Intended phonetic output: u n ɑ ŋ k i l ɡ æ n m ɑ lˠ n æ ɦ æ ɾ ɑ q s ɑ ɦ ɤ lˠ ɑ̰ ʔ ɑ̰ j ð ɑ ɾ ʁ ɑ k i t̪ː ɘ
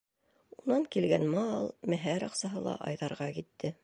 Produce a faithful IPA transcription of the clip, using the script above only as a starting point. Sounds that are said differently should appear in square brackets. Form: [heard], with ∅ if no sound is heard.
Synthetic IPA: u n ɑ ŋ k i l ɡ æ n m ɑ lˠ [m] æ ɦ æ ɾ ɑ q s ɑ ɦ ɤ lˠ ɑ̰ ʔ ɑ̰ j ð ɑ ɾ ʁ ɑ k i t̪ː ɘ